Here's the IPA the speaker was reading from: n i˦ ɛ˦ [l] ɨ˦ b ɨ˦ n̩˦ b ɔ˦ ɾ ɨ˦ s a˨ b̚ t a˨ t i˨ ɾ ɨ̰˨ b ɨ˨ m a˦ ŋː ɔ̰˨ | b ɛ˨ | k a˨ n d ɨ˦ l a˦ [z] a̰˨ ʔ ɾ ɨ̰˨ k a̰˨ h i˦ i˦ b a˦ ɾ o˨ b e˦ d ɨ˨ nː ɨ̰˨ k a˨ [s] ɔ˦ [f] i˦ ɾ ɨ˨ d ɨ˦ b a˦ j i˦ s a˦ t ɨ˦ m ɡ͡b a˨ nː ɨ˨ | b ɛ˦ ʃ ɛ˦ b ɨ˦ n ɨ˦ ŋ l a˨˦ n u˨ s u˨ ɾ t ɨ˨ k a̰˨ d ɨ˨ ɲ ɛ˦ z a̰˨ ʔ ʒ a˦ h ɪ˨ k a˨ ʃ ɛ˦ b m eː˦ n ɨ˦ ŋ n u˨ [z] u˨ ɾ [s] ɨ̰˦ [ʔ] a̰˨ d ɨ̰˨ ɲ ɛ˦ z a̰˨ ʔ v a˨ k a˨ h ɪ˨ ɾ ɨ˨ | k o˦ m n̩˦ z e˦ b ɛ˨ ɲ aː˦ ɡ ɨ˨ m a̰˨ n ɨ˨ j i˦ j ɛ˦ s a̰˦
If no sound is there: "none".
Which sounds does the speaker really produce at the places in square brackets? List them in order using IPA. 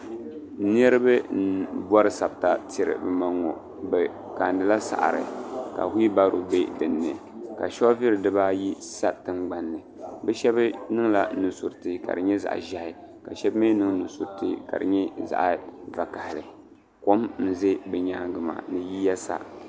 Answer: ɾ, s, ʃ, v, s, t, k

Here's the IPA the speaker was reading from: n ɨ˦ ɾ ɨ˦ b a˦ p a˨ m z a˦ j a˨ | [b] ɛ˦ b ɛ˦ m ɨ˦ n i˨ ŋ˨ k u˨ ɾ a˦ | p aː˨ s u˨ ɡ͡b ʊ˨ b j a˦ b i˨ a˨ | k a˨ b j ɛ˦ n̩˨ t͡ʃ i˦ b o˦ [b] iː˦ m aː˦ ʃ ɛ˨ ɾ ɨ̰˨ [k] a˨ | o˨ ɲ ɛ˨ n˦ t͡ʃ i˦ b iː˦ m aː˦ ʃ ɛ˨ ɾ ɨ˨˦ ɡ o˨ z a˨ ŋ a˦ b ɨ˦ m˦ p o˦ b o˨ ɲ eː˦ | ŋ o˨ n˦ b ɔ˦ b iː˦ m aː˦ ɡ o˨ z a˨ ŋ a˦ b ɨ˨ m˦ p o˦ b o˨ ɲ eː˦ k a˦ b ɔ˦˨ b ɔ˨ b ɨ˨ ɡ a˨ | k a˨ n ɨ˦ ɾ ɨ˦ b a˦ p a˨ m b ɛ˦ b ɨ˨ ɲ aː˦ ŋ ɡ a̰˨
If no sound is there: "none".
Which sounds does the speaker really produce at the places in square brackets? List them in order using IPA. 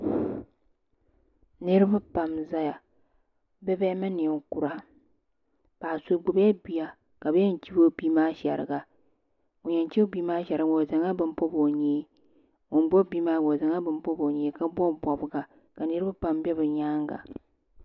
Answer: b, b, ɡ

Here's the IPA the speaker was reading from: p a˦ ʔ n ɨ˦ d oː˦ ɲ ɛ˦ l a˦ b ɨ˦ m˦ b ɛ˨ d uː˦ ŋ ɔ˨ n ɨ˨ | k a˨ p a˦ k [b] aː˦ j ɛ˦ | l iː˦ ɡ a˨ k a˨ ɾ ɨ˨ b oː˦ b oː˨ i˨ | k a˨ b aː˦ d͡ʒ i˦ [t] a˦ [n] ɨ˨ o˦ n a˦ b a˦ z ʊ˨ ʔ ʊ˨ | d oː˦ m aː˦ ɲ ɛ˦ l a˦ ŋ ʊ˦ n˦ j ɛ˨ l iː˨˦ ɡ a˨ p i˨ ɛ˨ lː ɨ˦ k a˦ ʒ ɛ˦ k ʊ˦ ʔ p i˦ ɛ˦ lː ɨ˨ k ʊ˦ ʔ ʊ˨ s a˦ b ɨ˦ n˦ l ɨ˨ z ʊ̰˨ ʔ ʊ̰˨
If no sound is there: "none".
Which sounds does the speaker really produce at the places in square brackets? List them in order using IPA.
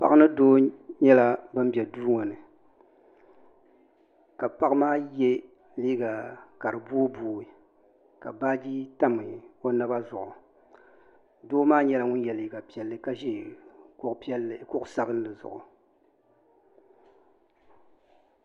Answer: m, t, m

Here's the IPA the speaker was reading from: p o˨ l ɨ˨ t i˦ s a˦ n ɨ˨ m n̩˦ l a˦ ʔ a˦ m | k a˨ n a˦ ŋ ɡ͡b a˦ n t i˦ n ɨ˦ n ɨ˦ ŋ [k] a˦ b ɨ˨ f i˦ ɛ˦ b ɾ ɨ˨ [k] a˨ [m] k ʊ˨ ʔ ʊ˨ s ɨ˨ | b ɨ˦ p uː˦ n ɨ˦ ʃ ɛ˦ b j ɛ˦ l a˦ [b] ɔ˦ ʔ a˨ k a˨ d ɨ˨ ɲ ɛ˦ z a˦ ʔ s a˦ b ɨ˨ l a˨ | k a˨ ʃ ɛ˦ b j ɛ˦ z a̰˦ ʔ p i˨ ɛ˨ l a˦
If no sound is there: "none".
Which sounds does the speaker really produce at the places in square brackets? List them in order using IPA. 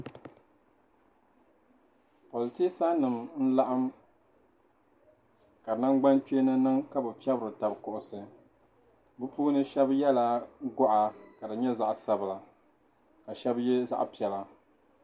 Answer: k, t, b, ɡ

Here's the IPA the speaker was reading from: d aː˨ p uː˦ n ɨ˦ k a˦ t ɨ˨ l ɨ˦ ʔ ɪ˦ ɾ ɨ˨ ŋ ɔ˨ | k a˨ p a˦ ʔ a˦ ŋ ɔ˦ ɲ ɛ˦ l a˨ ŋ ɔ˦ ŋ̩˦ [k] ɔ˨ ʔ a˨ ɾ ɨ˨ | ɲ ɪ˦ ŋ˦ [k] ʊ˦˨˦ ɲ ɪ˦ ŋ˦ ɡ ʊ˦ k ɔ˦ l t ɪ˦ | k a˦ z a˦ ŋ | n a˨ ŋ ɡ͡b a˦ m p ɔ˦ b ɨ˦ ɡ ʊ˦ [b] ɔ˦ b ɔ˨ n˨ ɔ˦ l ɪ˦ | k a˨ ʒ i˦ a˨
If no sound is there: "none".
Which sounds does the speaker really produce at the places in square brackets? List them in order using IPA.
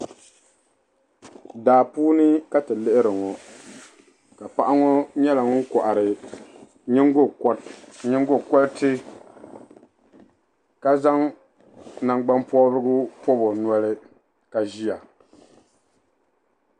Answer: k, ɡ, p

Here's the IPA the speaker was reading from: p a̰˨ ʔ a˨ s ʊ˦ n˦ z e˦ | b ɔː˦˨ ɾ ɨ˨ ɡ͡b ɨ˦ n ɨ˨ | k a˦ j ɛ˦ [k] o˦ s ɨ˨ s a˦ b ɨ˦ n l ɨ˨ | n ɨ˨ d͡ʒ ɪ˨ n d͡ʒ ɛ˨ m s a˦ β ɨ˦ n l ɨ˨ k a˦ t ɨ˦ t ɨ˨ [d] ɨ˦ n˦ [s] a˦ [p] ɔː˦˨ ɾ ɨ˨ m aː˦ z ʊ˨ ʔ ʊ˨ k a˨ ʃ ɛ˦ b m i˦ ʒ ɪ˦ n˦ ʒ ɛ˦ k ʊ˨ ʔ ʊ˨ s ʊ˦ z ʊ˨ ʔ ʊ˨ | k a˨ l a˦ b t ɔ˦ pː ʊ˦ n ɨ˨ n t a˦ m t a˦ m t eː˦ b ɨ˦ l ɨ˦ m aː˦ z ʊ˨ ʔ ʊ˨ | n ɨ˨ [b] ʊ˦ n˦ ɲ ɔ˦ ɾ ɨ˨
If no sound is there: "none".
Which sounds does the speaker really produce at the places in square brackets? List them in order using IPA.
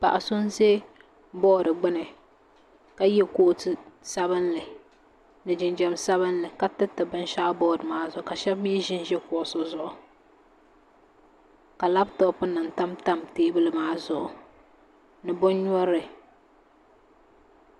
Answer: k, b, ʃ, b, b

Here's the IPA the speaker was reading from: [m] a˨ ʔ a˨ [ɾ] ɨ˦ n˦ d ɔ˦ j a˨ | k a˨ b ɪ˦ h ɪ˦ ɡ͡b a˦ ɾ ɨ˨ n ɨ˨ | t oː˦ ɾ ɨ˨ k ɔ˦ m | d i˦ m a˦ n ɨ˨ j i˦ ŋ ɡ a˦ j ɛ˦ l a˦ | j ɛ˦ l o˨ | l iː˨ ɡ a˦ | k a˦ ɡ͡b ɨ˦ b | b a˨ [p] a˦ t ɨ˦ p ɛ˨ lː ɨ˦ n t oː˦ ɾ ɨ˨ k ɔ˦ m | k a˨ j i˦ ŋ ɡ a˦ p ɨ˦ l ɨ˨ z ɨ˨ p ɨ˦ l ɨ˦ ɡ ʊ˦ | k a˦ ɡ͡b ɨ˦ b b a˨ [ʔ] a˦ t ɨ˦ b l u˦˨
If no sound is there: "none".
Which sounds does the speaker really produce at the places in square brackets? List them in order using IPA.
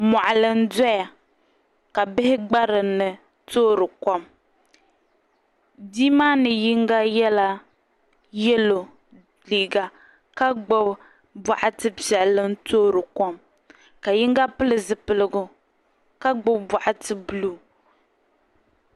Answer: m, l, ʔ, ʔ

